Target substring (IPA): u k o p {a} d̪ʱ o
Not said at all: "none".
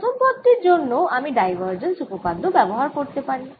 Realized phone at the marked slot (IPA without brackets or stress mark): a